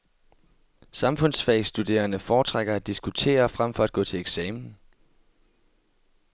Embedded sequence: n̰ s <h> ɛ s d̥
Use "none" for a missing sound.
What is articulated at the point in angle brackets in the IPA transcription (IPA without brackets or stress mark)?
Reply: f